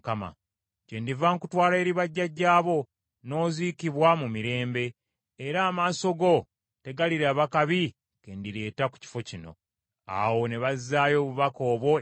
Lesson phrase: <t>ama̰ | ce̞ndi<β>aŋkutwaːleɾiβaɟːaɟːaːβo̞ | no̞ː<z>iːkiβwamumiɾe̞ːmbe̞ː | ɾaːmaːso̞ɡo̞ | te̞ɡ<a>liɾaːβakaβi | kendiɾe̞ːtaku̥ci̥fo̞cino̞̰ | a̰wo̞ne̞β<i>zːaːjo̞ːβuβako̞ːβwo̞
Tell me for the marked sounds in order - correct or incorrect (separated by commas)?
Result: incorrect, incorrect, correct, correct, incorrect